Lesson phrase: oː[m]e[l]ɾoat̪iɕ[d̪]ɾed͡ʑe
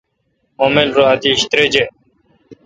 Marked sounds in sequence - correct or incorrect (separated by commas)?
correct, correct, incorrect